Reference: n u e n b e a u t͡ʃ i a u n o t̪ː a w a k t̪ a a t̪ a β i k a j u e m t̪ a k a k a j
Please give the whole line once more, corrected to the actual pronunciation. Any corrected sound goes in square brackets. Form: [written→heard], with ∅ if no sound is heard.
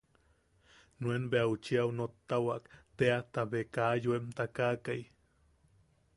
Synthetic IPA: n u e n b e a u t͡ʃ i a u n o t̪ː a w a k t̪ [a→e] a t̪ a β [i→e] k a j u e m t̪ a k a k a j